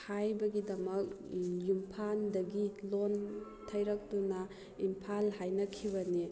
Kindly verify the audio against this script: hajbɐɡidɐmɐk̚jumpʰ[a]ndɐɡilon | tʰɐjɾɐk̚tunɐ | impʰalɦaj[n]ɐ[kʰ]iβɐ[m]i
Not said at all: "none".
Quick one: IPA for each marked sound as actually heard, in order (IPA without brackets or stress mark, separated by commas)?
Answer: a, n, kʰ, n